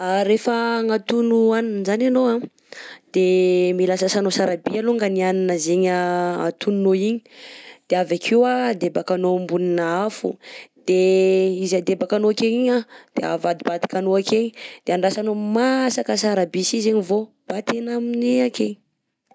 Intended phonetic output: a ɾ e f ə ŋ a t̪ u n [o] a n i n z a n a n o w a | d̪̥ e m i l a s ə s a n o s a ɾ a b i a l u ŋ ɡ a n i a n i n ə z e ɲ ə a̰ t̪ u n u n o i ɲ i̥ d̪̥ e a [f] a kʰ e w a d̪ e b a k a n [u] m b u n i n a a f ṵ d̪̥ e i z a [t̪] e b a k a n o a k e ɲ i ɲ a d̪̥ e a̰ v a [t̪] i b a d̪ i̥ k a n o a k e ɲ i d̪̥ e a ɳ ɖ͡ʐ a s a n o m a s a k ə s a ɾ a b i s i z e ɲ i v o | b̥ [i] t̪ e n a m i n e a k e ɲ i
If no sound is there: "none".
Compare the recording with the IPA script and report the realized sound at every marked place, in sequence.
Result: u, v, o, d̪, d̪, a

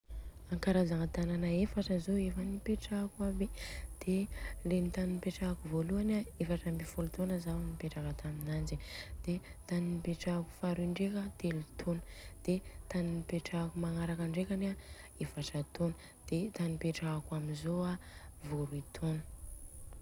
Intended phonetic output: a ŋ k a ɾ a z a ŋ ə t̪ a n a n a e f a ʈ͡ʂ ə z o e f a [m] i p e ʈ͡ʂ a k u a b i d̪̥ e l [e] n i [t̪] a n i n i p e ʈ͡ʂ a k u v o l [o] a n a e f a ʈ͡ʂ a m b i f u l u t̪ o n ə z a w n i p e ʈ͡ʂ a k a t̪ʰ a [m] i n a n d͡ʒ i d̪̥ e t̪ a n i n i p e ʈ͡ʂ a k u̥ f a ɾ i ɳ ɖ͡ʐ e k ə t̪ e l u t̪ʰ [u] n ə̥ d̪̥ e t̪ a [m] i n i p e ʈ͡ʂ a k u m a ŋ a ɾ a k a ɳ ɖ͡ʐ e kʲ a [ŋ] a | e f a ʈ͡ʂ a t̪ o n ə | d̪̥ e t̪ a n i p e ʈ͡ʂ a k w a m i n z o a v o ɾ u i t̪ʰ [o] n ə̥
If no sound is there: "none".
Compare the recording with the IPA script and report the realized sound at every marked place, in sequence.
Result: n, e, t̪, u, m, o, n, n, o

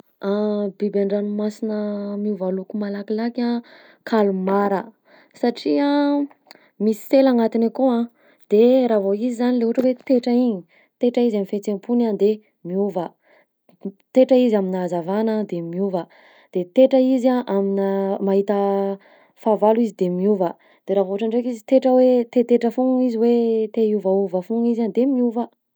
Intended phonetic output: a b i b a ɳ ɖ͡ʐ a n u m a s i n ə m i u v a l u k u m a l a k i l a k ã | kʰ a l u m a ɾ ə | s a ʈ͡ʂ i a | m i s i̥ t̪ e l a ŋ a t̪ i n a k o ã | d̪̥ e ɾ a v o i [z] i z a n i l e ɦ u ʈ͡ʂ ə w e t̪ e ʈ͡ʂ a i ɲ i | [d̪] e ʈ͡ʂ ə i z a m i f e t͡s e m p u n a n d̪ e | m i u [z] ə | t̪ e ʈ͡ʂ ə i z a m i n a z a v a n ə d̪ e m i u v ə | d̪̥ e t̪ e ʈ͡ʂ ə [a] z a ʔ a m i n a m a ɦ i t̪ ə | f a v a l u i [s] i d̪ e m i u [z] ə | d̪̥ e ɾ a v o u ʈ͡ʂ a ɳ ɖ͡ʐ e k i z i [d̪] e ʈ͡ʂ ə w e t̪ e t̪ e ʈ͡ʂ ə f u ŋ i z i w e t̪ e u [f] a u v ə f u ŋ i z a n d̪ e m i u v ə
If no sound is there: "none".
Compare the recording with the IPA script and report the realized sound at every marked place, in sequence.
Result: z, t̪, v, i, z, v, t̪, v

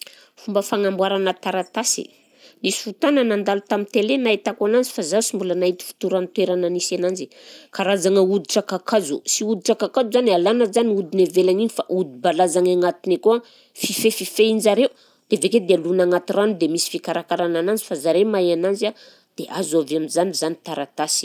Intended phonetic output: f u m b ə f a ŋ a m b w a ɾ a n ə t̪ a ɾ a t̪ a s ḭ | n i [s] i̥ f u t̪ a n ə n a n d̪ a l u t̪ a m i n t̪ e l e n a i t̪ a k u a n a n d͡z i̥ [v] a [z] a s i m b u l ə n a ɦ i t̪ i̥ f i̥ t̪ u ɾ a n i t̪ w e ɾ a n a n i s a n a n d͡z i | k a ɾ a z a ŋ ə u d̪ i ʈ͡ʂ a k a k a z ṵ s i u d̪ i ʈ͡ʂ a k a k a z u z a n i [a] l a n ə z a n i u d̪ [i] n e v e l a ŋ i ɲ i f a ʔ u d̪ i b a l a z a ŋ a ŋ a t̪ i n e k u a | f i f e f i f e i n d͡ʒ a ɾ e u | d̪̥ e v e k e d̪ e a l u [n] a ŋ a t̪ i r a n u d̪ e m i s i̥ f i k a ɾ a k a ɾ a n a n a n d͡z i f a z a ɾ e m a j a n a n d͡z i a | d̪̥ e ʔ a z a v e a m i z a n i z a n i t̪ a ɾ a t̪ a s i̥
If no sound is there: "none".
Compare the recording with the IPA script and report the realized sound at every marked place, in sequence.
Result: s, f, z, a, i, n

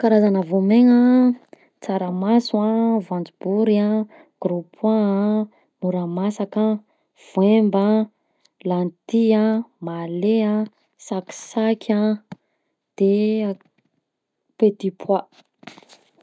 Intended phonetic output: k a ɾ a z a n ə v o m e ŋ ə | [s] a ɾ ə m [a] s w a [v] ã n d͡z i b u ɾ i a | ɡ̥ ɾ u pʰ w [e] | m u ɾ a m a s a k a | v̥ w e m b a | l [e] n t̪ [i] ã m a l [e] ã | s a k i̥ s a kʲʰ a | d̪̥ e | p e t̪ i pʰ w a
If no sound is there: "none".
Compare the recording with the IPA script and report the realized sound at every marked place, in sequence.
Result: t͡s, a, v, a, a, i, e

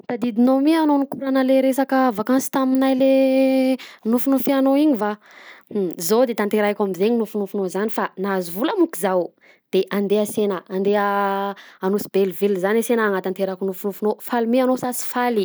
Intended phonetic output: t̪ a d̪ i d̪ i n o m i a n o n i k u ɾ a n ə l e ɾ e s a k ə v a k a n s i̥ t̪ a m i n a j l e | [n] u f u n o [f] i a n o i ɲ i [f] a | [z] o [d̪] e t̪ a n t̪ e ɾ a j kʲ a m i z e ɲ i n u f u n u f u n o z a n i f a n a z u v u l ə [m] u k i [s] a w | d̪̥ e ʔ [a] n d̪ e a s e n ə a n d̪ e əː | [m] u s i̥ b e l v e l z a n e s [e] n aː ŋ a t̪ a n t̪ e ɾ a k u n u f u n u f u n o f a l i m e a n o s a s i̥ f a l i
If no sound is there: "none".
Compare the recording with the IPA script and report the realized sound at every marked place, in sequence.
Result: n, f, v, z, d̪, m, z, a, n, e

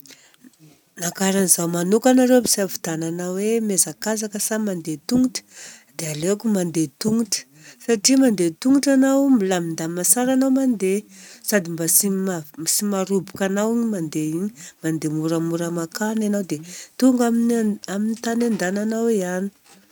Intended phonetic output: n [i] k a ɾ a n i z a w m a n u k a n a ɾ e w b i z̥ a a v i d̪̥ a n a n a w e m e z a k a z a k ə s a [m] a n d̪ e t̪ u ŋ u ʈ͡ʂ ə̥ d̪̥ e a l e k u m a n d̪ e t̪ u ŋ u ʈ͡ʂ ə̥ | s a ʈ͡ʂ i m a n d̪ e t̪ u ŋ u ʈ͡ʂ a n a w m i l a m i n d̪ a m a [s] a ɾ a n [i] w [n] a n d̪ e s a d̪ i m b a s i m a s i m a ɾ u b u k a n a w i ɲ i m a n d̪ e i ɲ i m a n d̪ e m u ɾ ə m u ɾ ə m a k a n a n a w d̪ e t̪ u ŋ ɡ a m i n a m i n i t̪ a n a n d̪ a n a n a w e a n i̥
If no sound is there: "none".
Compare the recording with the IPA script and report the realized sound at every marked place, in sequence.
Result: a, m, s, a, m

